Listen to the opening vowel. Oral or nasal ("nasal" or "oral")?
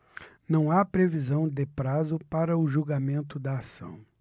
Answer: nasal